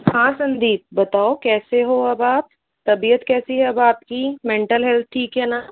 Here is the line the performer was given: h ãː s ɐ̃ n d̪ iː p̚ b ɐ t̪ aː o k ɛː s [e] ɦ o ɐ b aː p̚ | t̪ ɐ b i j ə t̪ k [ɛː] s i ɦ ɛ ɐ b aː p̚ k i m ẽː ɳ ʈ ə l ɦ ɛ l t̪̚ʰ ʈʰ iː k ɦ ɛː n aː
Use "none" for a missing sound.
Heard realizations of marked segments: e, ɛː

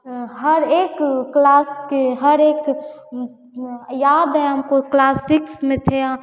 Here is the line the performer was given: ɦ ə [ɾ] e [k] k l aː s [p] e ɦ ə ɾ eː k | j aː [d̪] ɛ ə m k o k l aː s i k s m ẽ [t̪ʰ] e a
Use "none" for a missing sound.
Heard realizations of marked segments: ɾ, k, k, d̪, t̪ʰ

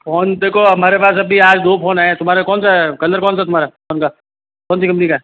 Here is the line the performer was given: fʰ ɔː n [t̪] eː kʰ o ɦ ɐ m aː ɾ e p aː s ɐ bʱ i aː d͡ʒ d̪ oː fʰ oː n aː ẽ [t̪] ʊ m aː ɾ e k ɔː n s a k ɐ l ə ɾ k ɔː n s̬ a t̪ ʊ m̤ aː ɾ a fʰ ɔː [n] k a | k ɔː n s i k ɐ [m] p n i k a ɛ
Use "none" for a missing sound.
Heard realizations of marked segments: d̪, t̪, n, m

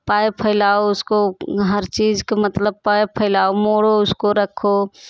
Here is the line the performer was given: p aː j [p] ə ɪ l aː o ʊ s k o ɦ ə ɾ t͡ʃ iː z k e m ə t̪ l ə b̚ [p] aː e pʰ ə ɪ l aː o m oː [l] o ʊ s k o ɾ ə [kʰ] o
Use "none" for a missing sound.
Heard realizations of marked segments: pʰ, p, ɽ, kʰ

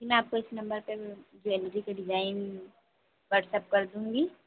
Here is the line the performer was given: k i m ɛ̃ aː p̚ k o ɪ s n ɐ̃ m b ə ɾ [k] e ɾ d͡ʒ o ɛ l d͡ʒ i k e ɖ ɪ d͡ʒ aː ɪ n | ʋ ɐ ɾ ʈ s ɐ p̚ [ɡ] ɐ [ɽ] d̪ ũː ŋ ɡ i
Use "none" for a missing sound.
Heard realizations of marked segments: p, k, ɾ

